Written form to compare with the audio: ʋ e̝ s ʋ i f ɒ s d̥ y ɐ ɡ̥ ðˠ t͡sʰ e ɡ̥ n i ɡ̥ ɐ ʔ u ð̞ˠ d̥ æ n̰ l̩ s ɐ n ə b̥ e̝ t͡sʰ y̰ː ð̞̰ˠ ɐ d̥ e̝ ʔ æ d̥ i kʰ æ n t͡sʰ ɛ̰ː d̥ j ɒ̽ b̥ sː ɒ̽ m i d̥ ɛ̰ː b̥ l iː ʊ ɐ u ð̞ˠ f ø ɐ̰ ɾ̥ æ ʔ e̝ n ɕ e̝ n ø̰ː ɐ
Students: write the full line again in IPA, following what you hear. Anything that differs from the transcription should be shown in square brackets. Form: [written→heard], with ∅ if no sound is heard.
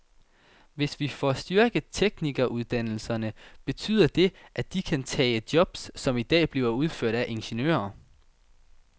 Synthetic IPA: ʋ e̝ s ʋ i f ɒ s d̥ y ɐ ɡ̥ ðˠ t͡sʰ e ɡ̥ n i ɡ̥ ɐ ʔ u ð̞ˠ d̥ æ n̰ l̩ s ɐ n ə b̥ e̝ t͡sʰ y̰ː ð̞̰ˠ ɐ d̥ e̝ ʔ æ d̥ i kʰ æ n t͡sʰ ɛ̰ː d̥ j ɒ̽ b̥ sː ɒ̽ m i d̥ ɛ̰ː b̥ l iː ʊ ɐ u ð̞ˠ f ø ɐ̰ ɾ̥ æ ʔ e̝ n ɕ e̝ n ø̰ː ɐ

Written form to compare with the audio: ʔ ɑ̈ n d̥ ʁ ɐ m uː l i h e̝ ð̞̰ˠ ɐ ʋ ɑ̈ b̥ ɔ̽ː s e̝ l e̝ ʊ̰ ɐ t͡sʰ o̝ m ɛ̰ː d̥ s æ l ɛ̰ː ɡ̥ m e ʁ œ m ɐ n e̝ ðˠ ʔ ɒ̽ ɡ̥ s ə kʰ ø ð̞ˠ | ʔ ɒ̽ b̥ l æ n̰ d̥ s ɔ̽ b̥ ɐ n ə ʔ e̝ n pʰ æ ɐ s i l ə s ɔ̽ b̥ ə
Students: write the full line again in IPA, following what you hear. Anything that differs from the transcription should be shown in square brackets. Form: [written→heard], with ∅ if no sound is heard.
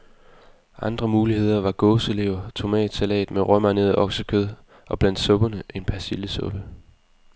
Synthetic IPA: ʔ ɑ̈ n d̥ ʁ ɐ m uː l i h e̝ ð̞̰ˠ ɐ ʋ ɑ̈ [b̥→ɡ̥] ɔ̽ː s e̝ l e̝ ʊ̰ ɐ t͡sʰ o̝ m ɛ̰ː d̥ s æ l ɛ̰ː [ɡ̥→d̥] m e ʁ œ m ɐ n e̝ ðˠ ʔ ɒ̽ ɡ̥ s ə kʰ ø ð̞ˠ | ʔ ɒ̽ b̥ l æ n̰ d̥ s ɔ̽ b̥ ɐ n ə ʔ e̝ n pʰ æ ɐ s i l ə s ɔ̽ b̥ ə

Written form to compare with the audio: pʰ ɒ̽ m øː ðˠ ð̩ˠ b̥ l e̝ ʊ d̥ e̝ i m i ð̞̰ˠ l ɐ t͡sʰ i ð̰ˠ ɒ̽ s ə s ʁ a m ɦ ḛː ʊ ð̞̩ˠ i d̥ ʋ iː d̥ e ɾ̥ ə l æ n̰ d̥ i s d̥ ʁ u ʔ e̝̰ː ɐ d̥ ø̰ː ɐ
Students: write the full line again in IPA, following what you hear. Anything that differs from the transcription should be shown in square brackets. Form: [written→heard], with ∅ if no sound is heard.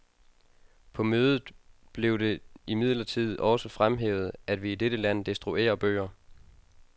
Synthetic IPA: pʰ ɒ̽ m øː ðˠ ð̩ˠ b̥ l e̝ ʊ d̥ e̝ i m i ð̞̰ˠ l ɐ t͡sʰ i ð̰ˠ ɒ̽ s ə [s→f] ʁ a m ɦ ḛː ʊ ð̞̩ˠ [i→æ] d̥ ʋ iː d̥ e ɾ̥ ə l æ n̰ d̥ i s d̥ ʁ u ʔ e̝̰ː ɐ [d̥→b̥] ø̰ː ɐ

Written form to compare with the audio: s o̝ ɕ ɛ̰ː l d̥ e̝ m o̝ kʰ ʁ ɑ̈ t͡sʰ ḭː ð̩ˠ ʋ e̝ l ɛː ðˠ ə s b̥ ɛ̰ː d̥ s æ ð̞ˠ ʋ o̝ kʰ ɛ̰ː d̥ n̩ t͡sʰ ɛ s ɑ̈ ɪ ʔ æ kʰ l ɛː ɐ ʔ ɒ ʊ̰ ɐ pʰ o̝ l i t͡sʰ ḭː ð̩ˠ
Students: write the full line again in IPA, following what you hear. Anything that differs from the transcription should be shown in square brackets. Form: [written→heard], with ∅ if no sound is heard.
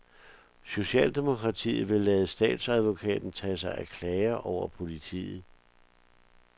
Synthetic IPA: s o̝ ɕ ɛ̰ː l d̥ e̝ m o̝ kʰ ʁ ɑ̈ t͡sʰ ḭː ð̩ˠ ʋ e̝ l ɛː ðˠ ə s [b̥→d̥] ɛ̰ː d̥ s æ ð̞ˠ ʋ o̝ kʰ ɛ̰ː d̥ n̩ t͡sʰ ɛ s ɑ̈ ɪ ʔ æ kʰ l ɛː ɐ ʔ ɒ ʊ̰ ɐ pʰ o̝ l i t͡sʰ ḭː ð̩ˠ

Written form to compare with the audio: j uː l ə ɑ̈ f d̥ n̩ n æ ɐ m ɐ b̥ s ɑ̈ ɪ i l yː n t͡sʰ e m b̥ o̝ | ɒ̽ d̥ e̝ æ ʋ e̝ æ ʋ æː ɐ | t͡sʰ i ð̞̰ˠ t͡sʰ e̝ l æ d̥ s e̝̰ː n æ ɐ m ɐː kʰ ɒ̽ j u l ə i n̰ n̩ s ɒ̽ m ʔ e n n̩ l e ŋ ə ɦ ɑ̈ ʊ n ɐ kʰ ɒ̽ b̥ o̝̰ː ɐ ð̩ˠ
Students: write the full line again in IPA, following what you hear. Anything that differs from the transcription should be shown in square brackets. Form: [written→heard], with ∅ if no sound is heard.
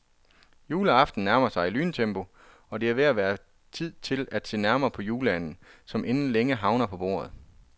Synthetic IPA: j uː l ə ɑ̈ f d̥ n̩ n æ ɐ m ɐ [b̥→∅] s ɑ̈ ɪ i l yː n t͡sʰ e m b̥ o̝ | ɒ̽ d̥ e̝ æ ʋ e̝ æ ʋ æː ɐ | t͡sʰ i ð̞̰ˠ t͡sʰ e̝ l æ d̥ s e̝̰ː n æ ɐ m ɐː [kʰ→pʰ] ɒ̽ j [u→uː] l ə [i→æ] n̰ n̩ s ɒ̽ m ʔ e n n̩ l e ŋ ə ɦ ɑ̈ ʊ n ɐ [kʰ→pʰ] ɒ̽ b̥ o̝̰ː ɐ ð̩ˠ

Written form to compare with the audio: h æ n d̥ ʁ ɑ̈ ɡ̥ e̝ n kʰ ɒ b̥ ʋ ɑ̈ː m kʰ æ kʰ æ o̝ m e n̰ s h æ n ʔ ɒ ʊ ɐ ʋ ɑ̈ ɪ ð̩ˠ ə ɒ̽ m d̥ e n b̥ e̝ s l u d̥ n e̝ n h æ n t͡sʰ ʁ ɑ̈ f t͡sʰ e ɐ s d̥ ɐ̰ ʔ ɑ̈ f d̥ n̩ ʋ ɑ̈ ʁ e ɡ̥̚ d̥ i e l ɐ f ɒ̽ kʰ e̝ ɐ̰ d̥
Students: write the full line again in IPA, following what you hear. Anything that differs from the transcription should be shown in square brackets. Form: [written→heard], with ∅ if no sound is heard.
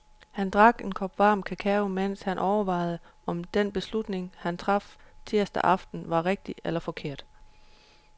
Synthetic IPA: h æ n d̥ ʁ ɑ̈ ɡ̥ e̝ n kʰ ɒ b̥ ʋ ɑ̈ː m kʰ æ kʰ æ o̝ m e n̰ s h æ n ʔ ɒ ʊ ɐ ʋ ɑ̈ ɪ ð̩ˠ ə ɒ̽ m d̥ e n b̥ e̝ s l u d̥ n e̝ [n→ŋ] h æ n t͡sʰ ʁ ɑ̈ f t͡sʰ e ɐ s d̥ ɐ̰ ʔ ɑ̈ f d̥ n̩ ʋ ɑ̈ ʁ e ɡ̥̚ d̥ i e l ɐ f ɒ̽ kʰ e̝ ɐ̰ d̥

